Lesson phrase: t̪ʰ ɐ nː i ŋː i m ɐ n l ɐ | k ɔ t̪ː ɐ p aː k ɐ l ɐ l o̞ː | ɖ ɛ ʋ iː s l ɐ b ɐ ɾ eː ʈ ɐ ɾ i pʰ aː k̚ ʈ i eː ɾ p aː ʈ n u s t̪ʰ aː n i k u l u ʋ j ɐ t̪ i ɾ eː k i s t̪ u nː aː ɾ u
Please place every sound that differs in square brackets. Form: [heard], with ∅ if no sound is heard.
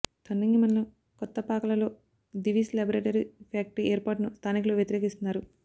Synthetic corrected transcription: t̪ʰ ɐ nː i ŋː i m ɐ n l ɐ | k ɔ t̪ː ɐ p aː k ɐ l ɐ l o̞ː | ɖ [i] ʋ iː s l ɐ b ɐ ɾ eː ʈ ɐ ɾ i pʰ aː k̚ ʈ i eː ɾ p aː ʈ n u s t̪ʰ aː n i k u l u ʋ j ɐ t̪ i ɾ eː k i s t̪ u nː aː ɾ u